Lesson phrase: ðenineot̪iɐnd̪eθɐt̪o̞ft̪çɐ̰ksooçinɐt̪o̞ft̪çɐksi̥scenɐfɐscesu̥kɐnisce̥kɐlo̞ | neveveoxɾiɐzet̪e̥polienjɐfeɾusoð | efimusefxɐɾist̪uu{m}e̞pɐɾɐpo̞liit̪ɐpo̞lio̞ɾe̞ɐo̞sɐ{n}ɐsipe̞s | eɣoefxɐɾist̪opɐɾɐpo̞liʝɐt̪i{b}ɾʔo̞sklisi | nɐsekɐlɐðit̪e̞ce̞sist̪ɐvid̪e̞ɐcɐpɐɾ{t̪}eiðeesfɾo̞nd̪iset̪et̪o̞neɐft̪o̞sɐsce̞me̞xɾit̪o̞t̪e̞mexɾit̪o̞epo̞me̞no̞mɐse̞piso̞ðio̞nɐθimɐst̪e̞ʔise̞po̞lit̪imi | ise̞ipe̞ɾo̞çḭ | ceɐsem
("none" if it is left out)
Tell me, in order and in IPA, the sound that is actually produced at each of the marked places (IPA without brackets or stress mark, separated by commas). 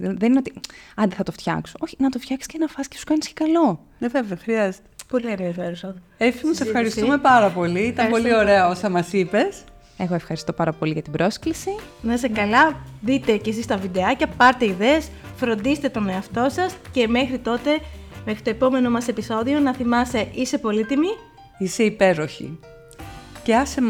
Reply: m, m, b, t̪